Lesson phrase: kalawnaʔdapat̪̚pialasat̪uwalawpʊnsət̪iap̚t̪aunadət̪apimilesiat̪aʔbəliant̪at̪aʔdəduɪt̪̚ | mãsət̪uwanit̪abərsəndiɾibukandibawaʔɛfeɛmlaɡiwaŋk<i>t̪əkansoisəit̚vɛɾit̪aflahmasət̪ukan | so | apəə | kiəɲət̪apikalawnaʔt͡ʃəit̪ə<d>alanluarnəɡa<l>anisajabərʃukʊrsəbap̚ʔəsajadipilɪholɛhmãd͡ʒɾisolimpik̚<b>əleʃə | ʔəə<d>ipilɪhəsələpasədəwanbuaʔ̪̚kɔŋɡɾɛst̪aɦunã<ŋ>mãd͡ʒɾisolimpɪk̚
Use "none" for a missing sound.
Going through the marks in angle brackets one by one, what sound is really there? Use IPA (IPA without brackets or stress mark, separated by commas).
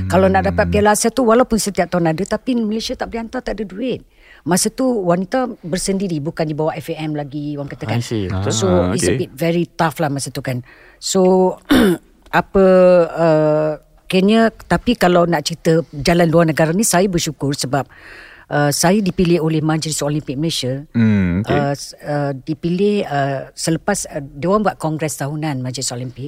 a, d͡ʒ, ɾ, m, d, n